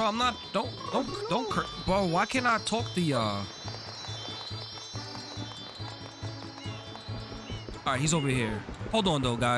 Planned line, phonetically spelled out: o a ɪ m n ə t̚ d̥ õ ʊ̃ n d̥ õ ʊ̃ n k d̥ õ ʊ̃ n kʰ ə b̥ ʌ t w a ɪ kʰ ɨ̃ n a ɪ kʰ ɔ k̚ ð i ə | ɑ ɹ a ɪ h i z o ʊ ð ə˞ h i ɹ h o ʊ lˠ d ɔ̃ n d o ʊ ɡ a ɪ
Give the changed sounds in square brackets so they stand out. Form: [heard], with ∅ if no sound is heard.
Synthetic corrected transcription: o a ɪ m n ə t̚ d̥ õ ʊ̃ n d̥ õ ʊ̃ n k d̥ õ ʊ̃ n kʰ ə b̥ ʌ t w a ɪ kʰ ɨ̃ n a ɪ [tʰ] ɔ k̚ ð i [ʌ] | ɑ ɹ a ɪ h i z o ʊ [v] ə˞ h i ɹ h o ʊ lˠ d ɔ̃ n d o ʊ ɡ a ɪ